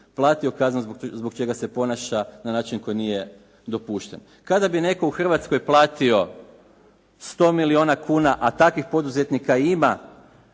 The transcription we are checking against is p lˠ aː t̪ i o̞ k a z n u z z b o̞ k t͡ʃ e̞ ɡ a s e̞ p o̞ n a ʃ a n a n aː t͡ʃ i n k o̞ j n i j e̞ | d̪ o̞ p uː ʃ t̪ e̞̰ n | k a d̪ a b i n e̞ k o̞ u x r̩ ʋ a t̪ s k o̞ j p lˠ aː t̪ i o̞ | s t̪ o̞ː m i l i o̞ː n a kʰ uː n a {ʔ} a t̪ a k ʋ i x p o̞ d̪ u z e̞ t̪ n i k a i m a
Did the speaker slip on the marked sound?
no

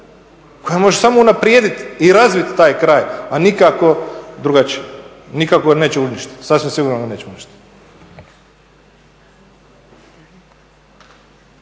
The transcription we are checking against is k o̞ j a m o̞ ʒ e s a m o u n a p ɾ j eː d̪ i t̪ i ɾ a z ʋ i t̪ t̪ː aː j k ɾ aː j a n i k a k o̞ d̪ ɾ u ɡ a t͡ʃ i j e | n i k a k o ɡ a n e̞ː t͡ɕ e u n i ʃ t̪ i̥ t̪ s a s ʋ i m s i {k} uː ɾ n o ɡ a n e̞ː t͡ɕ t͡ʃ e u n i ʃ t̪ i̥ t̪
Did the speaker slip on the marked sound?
yes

